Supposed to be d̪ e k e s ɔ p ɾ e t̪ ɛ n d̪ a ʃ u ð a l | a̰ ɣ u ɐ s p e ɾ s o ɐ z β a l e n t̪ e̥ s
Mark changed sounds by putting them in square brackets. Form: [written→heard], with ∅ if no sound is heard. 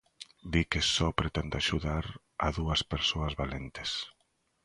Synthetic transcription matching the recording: d̪ [e→i] k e s ɔ p ɾ e t̪ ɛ n d̪ a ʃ u ð a [l→ɾ] | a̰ [ɣ→ð] u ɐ s p e ɾ s o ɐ z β a l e n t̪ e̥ s

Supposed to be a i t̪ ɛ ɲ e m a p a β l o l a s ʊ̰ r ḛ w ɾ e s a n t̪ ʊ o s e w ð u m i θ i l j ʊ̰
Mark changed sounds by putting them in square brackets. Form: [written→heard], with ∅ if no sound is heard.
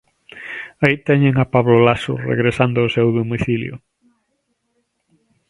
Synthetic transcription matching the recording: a i t̪ ɛ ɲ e [m→ŋ] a p a β l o l a s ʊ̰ r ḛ [w→ɣ] ɾ e s a n [t̪→d̪] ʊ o s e w ð [u→o] m i θ i l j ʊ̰

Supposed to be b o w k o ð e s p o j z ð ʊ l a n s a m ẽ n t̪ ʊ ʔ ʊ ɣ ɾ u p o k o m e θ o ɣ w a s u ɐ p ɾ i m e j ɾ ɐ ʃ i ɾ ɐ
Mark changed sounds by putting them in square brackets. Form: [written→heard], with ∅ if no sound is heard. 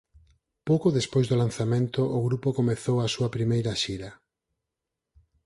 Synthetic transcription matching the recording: [b→p] o w k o ð e s p o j z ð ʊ l a n [s→θ] a m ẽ n t̪ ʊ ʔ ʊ ɣ ɾ u p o k o m e θ o [ɣ→∅] w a s u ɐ p ɾ i m e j ɾ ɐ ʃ i ɾ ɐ

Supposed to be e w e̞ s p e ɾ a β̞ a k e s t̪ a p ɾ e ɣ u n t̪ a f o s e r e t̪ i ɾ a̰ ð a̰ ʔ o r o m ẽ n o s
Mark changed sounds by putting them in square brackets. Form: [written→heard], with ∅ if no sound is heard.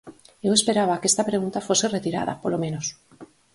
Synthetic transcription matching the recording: e w e̞ s p e ɾ a β̞ a k e s t̪ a p ɾ e ɣ u n t̪ a f o s e r e t̪ i ɾ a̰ ð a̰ [ʔ→p] o [r→l] o m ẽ n o s

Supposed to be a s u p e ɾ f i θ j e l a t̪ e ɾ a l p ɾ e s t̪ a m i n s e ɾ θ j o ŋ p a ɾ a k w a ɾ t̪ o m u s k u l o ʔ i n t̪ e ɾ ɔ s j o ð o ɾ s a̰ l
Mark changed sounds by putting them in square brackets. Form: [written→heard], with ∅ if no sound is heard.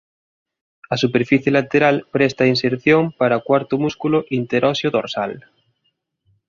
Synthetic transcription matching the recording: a s u p e ɾ f i θ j e l a t̪ e ɾ a l p ɾ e s t̪ a [m→∅] i n s e ɾ θ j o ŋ p a ɾ a k w a ɾ t̪ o m u s k u l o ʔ i n t̪ e ɾ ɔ s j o ð o ɾ s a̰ l

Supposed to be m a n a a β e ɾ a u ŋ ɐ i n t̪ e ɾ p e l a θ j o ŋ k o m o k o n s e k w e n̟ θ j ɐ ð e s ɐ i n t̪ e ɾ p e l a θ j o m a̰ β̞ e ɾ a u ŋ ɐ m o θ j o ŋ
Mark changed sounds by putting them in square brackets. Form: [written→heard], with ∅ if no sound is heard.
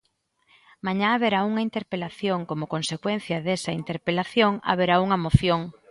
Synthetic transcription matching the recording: m a [n→ɲ] a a β e ɾ a u ŋ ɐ i n t̪ e ɾ p e l a θ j o ŋ k o m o k o n s e k w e n̟ θ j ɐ ð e s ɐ i n t̪ e ɾ p e l a θ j o [m→ŋ] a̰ β̞ e ɾ a u ŋ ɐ m o θ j o ŋ

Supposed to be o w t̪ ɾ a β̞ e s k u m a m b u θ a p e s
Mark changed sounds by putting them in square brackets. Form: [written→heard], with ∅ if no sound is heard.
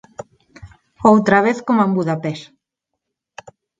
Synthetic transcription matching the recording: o w t̪ ɾ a β̞ e [s→θ] k [u→o] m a m b u [θ→ð] a p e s

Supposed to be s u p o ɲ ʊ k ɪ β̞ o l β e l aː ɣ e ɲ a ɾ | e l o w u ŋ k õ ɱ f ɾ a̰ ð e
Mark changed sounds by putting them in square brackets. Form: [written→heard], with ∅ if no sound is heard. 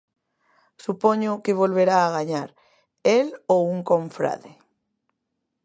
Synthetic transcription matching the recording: s u p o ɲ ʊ k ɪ β̞ o l β e [l→ɾ] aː ɣ [e→a] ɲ a ɾ | e l o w u ŋ k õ ɱ f ɾ a̰ ð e

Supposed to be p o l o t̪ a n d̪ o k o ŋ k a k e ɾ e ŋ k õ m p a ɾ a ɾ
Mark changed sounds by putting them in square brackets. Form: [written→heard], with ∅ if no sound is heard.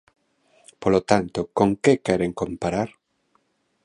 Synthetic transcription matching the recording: p o l o t̪ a n [d̪→t̪] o k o ŋ k [a→e] k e ɾ e ŋ k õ m p a ɾ a ɾ

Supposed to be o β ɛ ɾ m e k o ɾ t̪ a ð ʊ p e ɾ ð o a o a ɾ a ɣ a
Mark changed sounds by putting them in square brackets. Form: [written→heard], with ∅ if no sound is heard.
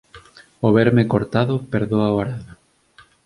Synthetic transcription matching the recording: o β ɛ ɾ m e k o ɾ t̪ a ð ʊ p e ɾ ð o a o a ɾ a [ɣ→ð] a

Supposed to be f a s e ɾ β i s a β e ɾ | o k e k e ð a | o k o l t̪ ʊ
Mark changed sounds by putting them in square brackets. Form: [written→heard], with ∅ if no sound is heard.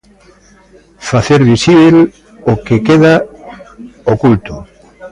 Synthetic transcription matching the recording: f a [s→θ] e ɾ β i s [a→i] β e [ɾ→l] | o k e k e ð a | o k [o→u] l t̪ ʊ

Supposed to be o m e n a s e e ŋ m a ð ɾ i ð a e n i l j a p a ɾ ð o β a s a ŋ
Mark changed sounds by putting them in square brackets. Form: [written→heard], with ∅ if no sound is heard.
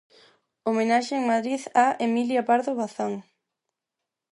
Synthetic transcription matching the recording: o m e n a [s→ʃ] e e ŋ m a ð ɾ i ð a e [n→m] i l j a p a ɾ ð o β a [s→θ] a ŋ

